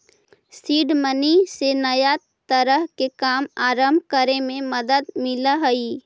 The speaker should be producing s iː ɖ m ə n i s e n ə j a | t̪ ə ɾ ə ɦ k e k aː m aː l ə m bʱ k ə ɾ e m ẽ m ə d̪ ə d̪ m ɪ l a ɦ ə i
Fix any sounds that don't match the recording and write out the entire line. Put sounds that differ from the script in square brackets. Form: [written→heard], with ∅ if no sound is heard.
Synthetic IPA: s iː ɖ m ə n i s e n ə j a | t̪ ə ɾ ə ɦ k e k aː m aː [l→ɾ] ə m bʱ k ə ɾ e m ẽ m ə d̪ ə d̪ m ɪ l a ɦ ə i